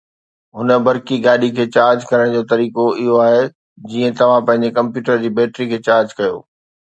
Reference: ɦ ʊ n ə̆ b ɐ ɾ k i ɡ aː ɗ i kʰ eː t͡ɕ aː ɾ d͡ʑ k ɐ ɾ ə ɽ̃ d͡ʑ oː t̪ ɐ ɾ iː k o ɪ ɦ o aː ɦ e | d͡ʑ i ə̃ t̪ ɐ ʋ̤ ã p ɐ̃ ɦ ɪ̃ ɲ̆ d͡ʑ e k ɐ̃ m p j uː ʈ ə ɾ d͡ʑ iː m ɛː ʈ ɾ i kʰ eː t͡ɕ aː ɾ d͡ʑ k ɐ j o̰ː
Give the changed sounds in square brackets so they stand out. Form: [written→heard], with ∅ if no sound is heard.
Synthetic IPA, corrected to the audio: ɦ ʊ n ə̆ b ɐ ɾ k i ɡ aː ɗ i kʰ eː t͡ɕ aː ɾ d͡ʑ k ɐ ɾ ə ɽ̃ d͡ʑ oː t̪ ɐ ɾ iː k o ɪ ɦ o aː ɦ e | d͡ʑ [i→iː] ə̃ t̪ ɐ ʋ̤ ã p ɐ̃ ɦ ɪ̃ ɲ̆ d͡ʑ e k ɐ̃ m p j uː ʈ ə ɾ d͡ʑ iː [m→b] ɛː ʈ ɾ i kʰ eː t͡ɕ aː ɾ d͡ʑ k ɐ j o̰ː